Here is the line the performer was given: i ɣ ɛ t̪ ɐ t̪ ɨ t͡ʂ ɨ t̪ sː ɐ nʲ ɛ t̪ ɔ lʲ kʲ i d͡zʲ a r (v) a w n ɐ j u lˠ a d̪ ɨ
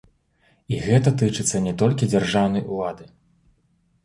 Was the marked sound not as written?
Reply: yes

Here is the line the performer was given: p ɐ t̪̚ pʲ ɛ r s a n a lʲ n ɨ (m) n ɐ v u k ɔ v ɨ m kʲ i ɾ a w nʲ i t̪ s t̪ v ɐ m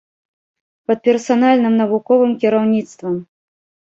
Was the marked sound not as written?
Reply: no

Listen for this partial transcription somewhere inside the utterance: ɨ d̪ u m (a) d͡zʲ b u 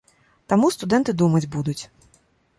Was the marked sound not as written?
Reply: yes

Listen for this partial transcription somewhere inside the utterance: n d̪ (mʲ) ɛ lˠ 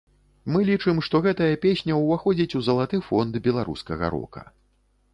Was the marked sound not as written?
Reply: yes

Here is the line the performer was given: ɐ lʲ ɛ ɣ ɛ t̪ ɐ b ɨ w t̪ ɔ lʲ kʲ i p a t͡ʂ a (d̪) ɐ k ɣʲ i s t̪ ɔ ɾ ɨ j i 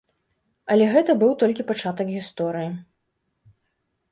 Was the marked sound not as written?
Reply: yes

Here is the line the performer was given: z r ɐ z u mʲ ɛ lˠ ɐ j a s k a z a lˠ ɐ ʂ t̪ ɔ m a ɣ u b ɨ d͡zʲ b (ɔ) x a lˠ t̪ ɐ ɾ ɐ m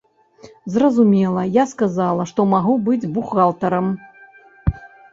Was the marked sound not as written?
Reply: yes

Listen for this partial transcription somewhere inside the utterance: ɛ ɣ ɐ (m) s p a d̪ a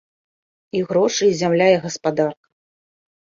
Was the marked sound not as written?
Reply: yes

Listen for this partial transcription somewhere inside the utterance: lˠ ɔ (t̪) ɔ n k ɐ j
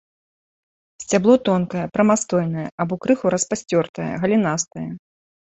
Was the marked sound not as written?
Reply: no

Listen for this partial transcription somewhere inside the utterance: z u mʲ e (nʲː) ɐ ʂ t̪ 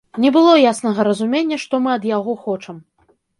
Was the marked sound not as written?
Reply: no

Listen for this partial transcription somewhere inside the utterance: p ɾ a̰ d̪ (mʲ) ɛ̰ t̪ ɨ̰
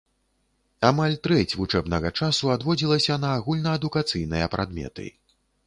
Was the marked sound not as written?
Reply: no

